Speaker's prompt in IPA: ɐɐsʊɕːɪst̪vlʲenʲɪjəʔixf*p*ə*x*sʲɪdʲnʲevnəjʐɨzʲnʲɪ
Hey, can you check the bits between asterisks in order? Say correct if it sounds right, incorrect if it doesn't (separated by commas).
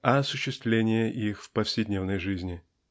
correct, incorrect